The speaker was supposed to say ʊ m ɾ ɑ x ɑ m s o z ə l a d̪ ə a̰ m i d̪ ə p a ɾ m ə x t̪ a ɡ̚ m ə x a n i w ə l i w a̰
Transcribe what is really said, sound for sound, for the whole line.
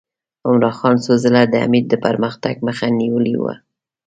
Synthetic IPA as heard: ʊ m ɾ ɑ x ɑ n s o z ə l a d̪ ə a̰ m i d̪ ə p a ɾ m ə x t̪ a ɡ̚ m ə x a n i w ə l i w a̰